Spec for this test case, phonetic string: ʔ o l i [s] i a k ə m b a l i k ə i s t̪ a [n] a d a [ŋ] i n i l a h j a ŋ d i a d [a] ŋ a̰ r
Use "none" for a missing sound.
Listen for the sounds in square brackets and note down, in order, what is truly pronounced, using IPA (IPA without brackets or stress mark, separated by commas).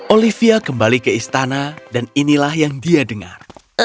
f, n, n, ə